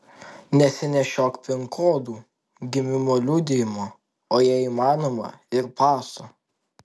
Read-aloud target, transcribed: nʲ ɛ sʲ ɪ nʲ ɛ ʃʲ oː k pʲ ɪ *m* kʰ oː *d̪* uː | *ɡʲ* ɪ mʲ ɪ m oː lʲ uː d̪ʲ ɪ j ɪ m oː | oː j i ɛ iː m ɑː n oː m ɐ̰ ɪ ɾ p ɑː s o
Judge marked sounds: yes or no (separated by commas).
no, yes, yes